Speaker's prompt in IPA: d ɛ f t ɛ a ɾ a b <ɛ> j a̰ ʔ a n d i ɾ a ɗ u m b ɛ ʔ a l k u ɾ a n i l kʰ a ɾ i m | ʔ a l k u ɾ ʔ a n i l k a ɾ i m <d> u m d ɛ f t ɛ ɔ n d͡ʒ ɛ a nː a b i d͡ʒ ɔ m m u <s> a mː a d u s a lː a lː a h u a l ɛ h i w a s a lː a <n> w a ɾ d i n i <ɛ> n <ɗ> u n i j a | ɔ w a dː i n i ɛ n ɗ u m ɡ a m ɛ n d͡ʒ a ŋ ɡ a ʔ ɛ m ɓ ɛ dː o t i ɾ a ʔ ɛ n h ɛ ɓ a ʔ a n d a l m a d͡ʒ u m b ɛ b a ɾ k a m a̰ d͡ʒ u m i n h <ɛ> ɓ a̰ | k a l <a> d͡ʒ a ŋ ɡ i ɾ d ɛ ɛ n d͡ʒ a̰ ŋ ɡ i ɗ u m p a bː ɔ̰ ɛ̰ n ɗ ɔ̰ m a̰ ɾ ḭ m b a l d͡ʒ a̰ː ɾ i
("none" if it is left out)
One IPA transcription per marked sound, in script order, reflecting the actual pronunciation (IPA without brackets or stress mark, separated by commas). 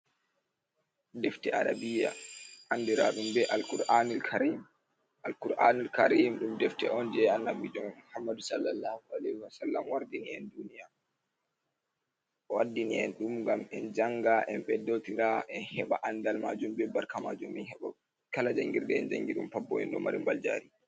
i, ɗ, h, m, ɛ, d, ɛ, a